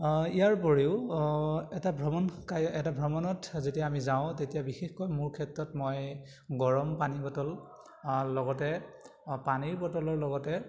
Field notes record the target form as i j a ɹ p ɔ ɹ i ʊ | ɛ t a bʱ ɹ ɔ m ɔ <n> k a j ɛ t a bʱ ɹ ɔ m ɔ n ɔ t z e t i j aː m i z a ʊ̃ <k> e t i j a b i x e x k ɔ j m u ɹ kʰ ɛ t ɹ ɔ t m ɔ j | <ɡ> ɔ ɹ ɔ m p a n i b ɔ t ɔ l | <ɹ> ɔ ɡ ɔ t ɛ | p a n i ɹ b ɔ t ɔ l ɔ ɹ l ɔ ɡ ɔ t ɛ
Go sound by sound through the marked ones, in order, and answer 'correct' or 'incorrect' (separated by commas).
correct, incorrect, correct, incorrect